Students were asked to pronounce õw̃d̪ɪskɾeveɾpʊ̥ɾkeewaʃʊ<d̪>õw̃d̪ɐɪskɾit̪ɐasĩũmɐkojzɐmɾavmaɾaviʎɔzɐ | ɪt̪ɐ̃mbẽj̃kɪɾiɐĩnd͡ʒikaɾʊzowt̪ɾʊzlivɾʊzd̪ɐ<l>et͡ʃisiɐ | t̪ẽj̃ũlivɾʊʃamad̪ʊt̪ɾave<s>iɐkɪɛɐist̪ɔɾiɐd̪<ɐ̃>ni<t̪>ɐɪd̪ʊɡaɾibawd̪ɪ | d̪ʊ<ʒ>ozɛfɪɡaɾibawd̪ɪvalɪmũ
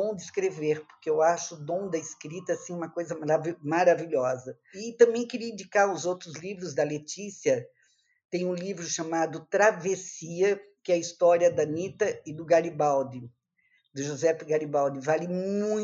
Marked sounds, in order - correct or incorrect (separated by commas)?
correct, correct, correct, incorrect, correct, correct